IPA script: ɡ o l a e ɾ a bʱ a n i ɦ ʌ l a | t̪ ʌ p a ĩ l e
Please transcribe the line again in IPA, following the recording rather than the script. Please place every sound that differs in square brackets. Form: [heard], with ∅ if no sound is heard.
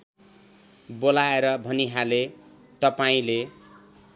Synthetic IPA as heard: [b] o l a e ɾ [ʌ] bʱ [ʌ] n i ɦ [a] l [e] | t̪ ʌ p a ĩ l e